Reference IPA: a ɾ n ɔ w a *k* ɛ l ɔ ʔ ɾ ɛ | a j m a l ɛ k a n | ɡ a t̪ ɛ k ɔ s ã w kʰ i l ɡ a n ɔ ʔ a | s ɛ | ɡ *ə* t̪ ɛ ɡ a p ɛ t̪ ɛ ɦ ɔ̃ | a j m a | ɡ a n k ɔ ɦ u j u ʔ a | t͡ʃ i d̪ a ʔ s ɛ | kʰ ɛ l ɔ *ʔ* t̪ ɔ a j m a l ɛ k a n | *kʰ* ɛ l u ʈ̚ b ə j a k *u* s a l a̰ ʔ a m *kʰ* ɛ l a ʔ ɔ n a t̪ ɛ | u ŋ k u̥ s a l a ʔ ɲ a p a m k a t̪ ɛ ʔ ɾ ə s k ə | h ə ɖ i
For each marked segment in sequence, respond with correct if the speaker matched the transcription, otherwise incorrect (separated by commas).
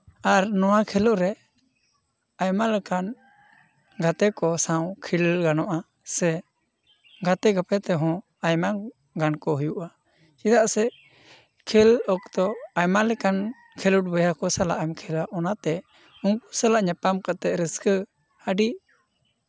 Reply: incorrect, incorrect, incorrect, correct, incorrect, correct